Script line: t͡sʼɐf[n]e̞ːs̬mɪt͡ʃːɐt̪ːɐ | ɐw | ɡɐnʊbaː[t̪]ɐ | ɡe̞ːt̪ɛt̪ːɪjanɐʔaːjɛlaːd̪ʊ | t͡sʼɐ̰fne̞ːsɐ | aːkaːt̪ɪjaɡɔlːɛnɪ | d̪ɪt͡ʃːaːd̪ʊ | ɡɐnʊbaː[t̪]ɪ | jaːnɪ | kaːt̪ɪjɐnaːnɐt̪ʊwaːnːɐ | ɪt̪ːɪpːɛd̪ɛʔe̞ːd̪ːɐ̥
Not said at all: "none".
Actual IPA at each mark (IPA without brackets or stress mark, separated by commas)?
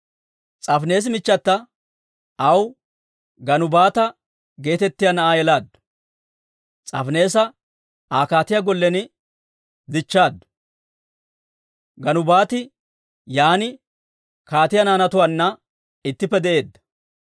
n, t̪, t̪